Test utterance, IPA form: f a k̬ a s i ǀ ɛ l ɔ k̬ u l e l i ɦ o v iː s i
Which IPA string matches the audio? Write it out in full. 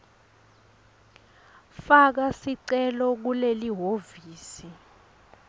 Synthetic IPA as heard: f a k̬ a s i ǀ ɛ l ɔ k̬ u l e l i ɦ o v iː s i

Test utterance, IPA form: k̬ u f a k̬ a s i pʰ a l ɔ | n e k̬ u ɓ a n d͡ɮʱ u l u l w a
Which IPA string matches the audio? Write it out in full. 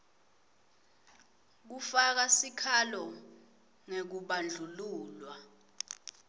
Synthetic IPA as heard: k̬ u f a k̬ a s i kʰ a l ɔ | ŋ e k̬ u ɓ a n d͡ɮʱ u l uː l w a

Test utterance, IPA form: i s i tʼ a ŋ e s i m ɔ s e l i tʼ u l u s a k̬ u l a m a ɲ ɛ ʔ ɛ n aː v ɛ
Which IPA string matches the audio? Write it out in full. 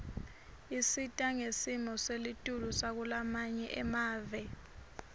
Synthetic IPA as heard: i s i tʼ a ŋ e s i m ɔ s e l i tʼ u l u s a k̬ u l a m a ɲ ɛ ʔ ɛ m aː v ɛ

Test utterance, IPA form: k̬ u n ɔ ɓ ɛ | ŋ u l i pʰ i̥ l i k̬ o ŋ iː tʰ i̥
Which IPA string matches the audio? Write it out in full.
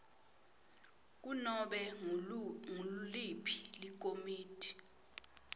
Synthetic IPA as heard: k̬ u n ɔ ɓ ɛ | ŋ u l i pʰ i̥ l i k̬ o m iː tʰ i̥

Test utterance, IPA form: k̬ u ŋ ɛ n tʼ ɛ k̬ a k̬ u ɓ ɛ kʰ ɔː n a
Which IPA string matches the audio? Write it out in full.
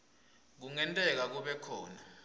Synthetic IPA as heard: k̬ u ŋ ɛ n tʼ ɛ k̬ a k̬ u ɓ ɛ kʰ ɔː n a

